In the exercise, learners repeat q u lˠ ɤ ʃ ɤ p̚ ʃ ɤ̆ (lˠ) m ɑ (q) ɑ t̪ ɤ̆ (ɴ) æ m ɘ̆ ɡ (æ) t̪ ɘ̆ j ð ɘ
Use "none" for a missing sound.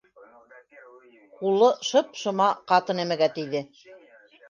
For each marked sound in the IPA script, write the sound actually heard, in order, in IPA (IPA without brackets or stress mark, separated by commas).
none, q, n, æ